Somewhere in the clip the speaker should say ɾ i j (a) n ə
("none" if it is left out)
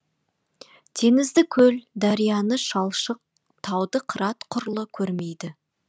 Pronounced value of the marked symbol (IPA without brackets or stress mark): ɑ